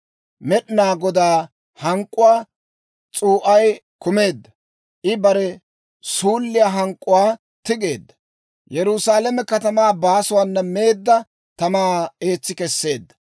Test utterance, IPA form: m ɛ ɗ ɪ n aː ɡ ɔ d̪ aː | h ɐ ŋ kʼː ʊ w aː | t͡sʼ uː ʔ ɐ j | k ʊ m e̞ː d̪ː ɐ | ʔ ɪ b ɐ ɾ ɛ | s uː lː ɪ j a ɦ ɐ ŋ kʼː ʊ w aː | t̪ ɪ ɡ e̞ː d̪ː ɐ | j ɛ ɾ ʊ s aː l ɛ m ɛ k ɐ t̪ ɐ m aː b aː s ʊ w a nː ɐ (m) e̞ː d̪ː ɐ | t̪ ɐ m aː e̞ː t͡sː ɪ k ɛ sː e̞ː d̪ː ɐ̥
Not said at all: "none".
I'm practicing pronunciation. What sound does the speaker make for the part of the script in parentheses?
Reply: m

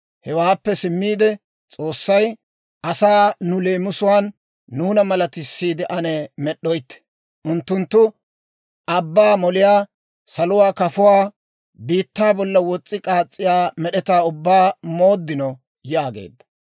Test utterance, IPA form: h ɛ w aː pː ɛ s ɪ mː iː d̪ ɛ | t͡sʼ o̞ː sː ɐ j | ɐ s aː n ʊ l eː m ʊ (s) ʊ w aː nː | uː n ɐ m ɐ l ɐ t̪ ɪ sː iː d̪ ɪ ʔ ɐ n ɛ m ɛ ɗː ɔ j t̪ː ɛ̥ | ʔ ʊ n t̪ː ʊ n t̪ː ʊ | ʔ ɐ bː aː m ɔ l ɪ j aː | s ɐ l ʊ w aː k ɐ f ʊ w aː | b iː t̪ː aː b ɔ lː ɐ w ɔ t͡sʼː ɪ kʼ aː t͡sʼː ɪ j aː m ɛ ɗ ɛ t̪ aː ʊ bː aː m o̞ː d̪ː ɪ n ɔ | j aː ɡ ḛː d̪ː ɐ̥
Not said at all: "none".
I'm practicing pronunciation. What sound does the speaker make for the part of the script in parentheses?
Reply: s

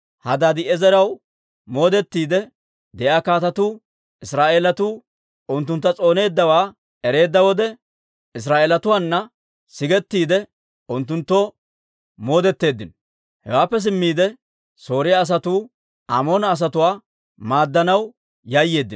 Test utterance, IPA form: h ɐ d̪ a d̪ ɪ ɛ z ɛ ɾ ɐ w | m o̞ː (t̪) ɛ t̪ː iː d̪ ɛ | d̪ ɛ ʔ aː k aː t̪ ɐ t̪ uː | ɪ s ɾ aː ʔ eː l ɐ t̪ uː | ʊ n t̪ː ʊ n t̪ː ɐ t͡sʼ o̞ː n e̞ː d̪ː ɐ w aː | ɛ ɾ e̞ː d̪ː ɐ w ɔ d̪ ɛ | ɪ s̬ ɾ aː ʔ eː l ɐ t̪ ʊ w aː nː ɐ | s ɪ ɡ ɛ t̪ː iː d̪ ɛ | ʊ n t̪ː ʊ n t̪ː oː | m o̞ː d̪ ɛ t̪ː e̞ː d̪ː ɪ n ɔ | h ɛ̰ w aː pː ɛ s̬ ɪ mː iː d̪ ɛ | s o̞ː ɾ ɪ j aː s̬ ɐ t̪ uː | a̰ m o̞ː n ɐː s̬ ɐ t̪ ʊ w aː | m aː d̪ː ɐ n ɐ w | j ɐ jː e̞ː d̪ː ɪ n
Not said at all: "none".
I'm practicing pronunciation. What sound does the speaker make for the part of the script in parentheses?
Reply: d̪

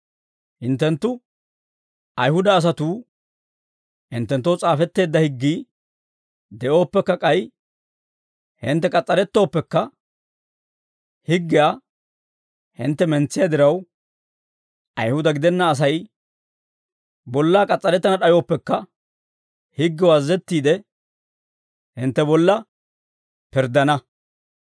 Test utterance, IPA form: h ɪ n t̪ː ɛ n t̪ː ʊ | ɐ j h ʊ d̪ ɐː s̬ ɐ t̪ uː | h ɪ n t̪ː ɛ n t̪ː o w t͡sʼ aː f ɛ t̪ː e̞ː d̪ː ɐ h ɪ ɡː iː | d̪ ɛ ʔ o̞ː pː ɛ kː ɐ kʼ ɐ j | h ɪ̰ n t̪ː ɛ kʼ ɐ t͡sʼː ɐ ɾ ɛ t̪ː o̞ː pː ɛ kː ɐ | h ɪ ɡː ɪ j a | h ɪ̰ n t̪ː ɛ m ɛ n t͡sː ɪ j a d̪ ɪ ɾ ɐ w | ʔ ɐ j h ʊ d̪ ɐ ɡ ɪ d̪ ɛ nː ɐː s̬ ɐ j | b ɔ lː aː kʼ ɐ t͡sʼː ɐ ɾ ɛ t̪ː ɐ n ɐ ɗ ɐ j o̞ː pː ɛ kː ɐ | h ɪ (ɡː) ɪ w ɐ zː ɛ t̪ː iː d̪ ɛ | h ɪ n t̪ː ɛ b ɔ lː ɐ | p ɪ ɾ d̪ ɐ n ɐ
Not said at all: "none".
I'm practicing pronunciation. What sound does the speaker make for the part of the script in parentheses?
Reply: ɡː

